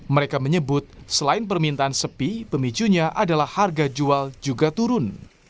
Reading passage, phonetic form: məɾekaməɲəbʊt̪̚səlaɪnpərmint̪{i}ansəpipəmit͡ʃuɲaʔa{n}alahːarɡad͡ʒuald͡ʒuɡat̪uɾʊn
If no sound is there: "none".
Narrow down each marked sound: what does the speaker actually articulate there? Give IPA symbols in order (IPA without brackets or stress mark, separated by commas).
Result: a, d